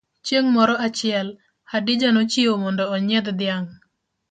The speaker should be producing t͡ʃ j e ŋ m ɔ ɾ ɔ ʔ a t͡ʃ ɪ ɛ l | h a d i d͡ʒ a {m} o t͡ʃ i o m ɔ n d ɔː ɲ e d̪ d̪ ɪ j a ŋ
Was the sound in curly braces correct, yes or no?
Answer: no